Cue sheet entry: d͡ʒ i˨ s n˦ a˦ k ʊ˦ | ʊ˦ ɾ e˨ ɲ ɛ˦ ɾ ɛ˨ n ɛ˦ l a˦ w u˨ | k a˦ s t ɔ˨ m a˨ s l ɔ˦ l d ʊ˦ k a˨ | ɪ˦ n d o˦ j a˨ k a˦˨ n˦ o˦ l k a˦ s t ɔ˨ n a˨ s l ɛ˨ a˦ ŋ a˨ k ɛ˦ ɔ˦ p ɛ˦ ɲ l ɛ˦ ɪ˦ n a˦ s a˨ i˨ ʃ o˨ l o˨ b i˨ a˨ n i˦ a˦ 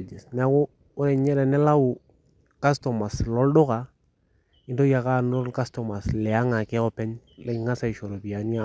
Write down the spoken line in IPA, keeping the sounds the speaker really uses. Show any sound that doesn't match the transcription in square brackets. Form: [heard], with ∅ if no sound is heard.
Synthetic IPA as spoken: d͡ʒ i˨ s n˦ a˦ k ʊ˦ | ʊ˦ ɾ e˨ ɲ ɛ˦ ɾ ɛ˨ n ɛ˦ l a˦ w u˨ | k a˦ s t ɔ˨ m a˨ s l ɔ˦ l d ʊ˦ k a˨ | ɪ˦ n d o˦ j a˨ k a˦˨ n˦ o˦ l k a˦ s t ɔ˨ [m] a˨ s l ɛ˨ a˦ ŋ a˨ k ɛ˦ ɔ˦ p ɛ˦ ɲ l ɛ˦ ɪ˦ [ŋ] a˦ s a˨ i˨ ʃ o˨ [ɾ] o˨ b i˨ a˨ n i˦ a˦